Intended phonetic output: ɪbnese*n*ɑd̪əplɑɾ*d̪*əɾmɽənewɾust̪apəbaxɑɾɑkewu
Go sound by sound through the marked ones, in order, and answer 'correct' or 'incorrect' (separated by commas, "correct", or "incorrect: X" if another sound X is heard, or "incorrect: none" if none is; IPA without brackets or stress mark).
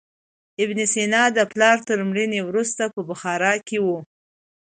correct, incorrect: t̪